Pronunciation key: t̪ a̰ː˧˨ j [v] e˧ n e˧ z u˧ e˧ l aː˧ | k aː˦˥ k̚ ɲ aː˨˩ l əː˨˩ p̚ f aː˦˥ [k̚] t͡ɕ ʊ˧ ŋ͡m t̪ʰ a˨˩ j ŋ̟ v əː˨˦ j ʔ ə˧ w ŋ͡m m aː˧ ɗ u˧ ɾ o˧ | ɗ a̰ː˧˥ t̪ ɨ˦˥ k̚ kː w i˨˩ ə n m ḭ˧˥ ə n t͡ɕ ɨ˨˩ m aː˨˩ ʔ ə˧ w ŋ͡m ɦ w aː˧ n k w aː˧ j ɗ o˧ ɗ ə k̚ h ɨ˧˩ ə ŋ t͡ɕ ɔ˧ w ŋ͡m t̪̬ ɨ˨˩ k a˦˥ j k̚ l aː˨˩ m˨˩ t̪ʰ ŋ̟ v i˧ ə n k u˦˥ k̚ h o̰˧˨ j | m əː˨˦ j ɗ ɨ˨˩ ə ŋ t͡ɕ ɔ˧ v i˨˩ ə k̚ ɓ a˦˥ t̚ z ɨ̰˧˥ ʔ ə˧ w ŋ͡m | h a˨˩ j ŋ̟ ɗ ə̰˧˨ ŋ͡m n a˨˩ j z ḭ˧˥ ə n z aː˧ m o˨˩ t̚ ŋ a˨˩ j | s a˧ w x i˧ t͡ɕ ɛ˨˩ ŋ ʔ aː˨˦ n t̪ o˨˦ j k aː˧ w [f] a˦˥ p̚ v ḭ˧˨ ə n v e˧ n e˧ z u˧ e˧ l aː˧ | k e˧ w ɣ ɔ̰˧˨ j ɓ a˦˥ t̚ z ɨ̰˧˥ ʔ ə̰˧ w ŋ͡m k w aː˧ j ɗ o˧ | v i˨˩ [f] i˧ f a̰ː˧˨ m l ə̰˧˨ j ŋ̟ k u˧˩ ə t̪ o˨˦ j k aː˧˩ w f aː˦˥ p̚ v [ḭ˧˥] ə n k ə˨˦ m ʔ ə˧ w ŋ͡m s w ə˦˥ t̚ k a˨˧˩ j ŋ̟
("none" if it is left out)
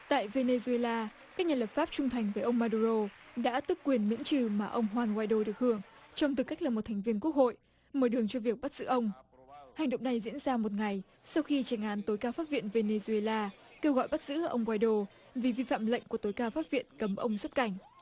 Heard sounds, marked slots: v, p̚, f, v, ḭ˧˨

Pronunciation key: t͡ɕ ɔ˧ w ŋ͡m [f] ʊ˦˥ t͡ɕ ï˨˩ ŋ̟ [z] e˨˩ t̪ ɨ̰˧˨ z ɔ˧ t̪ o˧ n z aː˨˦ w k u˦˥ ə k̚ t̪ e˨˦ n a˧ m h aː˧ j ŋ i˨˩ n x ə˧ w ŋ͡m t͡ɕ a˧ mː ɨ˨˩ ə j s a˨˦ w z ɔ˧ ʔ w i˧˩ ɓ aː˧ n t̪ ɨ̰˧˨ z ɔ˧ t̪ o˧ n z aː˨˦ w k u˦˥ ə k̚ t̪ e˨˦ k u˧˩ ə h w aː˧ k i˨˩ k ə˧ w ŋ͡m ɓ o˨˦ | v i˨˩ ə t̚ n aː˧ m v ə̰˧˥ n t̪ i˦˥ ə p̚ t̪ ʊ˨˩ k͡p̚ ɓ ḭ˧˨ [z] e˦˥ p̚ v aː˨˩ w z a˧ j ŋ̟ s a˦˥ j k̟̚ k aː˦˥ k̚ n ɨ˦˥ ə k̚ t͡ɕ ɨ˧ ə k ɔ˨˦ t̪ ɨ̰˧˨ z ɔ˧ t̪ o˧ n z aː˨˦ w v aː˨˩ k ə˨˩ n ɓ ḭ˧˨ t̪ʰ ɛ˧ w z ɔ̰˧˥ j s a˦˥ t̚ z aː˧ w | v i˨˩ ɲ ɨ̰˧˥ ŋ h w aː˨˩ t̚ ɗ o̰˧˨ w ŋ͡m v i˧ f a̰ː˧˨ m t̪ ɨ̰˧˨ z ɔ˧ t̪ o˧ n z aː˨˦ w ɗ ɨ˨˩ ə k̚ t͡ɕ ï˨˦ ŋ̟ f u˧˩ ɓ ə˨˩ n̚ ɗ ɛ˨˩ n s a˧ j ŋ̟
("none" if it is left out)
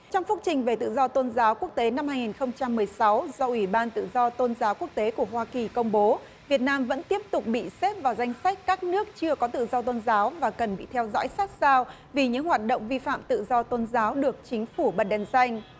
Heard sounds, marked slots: f, v, s

